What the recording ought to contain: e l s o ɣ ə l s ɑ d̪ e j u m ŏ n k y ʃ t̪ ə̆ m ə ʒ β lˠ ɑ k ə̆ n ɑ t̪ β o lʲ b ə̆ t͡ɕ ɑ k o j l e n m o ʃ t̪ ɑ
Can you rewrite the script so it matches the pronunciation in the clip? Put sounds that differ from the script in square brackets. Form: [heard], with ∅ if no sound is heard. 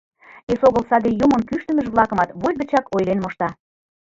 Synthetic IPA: e [∅] s o ɣ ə l s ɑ d̪ e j u m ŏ n k y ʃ t̪ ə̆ m ə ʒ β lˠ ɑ k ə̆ [m] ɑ t̪ β o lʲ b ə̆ t͡ɕ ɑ k o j l e n m o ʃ t̪ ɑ